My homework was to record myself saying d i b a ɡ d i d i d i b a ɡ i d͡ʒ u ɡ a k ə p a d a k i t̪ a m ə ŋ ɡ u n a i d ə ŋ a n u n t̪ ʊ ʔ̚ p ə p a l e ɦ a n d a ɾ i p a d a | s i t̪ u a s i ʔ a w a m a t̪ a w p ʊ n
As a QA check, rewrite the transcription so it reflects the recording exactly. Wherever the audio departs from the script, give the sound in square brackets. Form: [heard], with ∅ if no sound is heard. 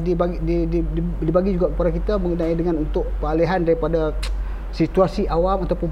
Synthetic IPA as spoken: d i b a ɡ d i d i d i b a ɡ i d͡ʒ u ɡ a k ə p a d a k i t̪ a m ə ŋ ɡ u n a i d ə ŋ a n u n t̪ ʊ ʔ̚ p ə [∅] a l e ɦ a n d a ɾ i p a d a | s i t̪ u a s i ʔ a w a m a t̪ a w p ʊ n